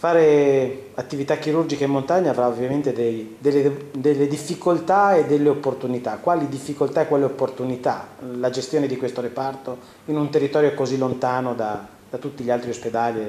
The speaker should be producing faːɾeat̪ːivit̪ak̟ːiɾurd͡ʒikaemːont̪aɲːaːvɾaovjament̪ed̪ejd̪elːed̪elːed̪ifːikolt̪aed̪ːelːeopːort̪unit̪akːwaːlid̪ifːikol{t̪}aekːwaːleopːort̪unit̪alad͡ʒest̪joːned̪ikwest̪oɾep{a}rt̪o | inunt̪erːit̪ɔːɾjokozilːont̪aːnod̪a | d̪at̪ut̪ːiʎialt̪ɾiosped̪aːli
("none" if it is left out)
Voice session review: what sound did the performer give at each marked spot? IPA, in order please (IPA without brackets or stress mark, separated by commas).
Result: t̪, a